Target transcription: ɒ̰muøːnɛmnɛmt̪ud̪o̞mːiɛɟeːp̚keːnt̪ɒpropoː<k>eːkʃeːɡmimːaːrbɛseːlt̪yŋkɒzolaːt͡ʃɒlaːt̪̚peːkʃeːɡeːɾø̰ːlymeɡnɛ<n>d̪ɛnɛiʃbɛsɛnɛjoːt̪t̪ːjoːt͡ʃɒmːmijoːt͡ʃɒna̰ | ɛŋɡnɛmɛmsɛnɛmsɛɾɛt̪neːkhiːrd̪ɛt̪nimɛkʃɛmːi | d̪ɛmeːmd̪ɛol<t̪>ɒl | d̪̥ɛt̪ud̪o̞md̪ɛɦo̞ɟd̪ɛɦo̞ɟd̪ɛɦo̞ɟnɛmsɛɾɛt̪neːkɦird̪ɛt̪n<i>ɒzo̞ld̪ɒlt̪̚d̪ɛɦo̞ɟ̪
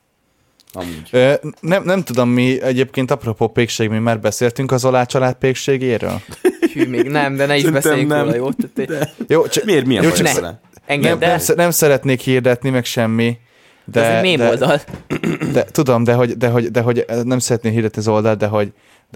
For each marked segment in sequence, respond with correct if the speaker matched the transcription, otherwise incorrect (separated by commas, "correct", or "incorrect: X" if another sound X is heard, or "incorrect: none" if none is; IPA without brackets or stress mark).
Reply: incorrect: p, incorrect: m, incorrect: d̪, correct